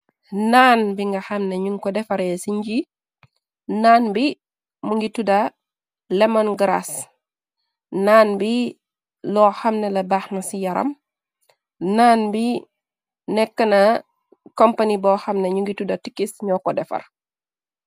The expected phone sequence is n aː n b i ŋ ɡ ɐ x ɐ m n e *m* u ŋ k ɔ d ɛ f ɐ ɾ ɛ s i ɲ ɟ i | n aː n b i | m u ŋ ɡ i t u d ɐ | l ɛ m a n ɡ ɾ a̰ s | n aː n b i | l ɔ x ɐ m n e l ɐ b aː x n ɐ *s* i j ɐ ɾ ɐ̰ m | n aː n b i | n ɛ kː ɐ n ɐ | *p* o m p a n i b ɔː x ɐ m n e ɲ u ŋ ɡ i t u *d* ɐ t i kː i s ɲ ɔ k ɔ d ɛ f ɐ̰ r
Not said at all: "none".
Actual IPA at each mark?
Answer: ɲ, s, k, d

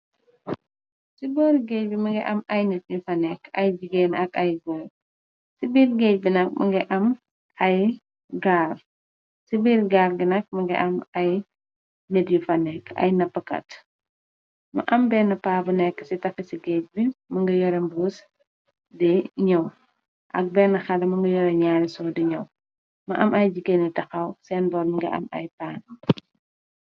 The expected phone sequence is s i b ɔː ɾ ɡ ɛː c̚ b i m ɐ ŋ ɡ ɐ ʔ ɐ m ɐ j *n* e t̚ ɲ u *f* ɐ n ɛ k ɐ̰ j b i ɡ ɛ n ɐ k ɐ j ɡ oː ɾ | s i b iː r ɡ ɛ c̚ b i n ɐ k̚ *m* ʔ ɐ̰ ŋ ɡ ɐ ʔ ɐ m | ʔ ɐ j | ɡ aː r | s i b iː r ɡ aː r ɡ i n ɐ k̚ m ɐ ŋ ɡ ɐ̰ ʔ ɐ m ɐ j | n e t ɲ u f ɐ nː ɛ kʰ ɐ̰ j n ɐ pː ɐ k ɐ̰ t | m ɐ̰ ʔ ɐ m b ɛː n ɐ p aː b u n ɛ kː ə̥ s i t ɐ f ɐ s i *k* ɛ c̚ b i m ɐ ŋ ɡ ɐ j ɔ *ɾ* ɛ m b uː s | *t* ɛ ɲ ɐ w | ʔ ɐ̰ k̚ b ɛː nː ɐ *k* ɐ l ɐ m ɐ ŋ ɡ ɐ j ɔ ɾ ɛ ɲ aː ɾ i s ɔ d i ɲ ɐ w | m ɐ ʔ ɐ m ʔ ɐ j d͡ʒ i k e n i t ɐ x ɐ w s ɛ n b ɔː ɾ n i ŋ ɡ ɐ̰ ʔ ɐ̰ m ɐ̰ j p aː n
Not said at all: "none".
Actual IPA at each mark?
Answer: n, f, m, ɡ, ɾ, d, x

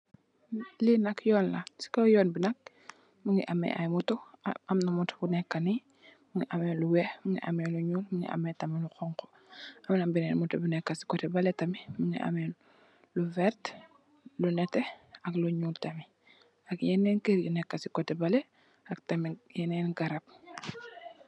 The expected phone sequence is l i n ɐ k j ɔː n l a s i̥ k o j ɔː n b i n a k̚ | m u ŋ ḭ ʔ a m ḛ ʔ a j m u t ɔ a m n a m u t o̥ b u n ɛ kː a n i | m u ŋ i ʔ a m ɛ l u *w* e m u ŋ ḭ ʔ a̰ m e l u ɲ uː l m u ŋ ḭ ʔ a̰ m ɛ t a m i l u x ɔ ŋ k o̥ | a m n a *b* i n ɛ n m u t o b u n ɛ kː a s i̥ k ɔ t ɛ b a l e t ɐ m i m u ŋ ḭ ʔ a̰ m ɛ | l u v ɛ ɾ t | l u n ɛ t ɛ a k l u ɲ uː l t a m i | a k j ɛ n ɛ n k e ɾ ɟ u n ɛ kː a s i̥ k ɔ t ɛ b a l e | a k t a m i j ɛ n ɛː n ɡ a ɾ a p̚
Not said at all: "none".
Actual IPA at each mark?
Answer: w, b

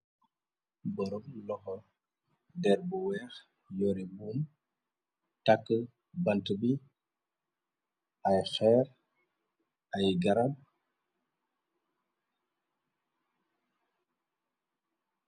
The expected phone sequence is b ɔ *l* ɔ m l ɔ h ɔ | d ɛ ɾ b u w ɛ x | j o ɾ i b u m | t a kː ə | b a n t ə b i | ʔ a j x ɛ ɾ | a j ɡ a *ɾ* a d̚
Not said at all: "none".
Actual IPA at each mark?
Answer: ɾ, ɾ

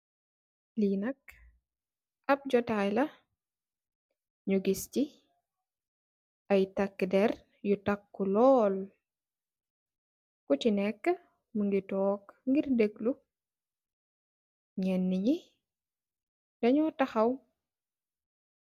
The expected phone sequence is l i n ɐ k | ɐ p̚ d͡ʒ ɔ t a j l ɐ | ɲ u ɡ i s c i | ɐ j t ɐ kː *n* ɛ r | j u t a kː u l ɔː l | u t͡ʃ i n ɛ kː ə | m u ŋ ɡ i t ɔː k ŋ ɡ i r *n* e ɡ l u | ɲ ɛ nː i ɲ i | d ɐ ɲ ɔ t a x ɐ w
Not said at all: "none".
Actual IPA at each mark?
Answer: d, d

